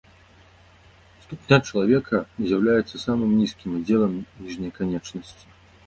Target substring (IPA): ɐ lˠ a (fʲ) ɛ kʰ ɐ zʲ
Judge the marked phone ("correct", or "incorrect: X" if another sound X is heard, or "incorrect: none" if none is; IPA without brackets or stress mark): incorrect: vʲ